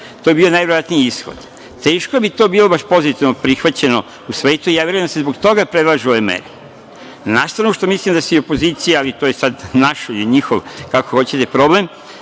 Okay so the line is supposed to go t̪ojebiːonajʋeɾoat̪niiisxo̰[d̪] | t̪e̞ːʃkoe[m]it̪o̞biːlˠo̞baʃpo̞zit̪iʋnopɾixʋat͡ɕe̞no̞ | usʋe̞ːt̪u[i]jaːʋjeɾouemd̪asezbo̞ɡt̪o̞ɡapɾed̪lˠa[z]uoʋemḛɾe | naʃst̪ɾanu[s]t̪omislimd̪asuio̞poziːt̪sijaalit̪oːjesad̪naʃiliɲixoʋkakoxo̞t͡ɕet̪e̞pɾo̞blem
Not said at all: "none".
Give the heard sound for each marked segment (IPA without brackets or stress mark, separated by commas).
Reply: d̪, b, i, ʒ, ʃ